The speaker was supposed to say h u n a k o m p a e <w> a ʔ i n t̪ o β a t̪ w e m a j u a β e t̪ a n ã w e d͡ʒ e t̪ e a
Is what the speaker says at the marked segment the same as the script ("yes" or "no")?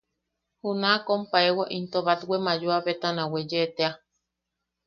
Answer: yes